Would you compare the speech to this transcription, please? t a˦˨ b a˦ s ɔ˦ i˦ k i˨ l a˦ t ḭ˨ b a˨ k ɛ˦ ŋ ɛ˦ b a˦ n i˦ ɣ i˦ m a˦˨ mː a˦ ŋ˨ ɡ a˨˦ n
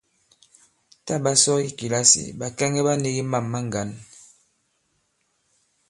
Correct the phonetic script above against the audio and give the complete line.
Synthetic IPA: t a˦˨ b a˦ s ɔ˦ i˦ k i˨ l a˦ s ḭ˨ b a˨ k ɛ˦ ŋ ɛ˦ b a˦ n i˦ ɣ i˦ m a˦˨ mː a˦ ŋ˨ ɡ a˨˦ n